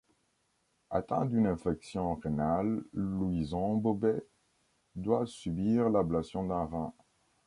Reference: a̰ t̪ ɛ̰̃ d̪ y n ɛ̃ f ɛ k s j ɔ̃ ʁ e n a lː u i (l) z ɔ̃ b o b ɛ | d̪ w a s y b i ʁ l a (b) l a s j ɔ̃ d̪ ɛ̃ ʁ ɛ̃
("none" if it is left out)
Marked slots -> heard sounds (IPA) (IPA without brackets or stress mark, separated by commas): none, b